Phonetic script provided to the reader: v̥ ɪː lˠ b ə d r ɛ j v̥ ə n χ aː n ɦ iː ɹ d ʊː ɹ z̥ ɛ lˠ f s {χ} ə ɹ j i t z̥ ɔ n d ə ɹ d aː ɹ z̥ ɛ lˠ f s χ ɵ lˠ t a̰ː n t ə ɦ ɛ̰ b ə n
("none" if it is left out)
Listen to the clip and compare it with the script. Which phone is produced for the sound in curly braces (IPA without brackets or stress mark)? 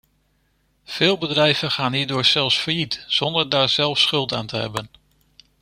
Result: f